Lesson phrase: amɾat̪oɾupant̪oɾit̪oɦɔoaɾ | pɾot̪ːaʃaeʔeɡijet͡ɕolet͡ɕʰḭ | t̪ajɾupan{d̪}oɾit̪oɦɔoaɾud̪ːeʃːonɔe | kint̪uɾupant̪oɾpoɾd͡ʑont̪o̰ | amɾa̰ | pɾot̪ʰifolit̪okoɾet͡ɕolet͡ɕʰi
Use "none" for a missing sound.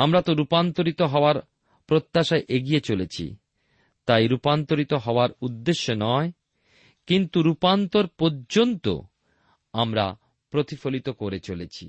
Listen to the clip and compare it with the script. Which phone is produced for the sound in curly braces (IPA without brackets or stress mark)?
t̪